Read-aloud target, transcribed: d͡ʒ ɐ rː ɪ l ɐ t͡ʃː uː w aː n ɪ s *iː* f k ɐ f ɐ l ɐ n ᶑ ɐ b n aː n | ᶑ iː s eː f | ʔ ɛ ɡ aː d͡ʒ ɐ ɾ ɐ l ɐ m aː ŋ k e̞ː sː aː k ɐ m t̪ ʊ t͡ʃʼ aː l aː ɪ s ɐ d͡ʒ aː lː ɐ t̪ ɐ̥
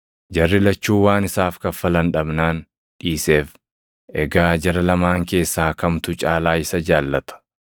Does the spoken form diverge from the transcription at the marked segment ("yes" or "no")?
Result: yes